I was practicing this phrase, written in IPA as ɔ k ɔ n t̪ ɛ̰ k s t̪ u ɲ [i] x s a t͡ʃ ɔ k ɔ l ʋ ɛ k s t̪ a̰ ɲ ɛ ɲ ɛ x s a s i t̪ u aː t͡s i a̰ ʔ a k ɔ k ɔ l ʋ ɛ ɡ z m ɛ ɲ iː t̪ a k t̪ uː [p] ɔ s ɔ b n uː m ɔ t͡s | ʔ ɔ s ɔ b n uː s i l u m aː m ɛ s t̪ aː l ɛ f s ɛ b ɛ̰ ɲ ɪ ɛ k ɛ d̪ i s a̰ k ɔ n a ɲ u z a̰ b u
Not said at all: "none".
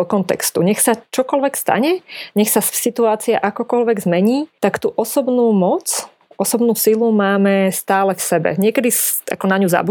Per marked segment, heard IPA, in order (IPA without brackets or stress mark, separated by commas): ɛ, ʔ